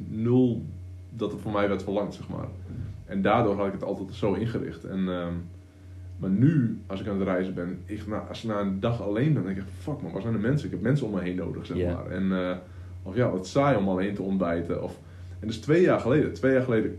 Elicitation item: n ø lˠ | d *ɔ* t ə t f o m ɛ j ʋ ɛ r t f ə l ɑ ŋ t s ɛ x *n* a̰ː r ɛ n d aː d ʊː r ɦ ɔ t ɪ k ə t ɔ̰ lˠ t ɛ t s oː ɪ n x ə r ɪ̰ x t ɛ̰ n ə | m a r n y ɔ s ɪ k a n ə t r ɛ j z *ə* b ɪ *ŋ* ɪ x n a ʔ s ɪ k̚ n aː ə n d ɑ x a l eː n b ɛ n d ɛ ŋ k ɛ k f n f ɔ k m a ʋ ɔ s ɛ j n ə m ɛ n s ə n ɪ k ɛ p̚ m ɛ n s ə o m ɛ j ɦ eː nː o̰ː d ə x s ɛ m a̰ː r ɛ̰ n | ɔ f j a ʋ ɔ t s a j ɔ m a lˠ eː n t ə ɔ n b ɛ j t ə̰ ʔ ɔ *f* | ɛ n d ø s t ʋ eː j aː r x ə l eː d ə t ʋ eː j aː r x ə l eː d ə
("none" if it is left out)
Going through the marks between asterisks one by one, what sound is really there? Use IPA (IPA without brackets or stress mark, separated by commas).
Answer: ɔ, m, ə, n, f